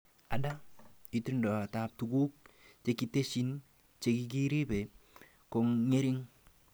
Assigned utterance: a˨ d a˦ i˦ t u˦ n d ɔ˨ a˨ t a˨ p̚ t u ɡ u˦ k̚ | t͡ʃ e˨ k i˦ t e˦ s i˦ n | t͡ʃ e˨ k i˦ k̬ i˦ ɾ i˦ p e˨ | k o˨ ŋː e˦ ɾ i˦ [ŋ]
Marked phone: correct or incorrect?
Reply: correct